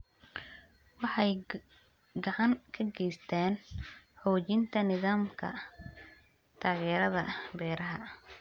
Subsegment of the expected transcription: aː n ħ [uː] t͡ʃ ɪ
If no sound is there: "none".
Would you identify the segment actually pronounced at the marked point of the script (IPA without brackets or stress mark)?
ɔː